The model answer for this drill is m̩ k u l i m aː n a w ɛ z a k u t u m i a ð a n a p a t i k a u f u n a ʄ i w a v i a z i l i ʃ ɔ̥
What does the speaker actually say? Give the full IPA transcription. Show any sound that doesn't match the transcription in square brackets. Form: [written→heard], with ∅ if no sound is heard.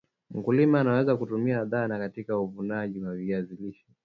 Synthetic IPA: m̩ k u l i m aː n a w ɛ z a k u t u m i a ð a n a [p→k] a t i k a u [f→v] u n a ʄ i w a v i a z i l i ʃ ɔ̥